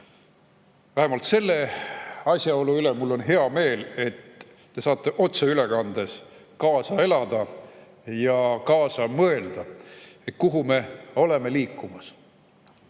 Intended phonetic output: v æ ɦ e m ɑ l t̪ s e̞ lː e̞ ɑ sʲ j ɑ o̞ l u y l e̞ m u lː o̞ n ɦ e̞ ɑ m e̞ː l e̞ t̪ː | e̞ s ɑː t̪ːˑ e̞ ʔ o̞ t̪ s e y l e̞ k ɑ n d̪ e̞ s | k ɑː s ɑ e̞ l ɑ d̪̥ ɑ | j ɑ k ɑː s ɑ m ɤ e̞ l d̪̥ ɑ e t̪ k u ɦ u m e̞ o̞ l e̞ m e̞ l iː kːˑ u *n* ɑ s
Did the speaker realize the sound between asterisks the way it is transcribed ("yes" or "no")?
no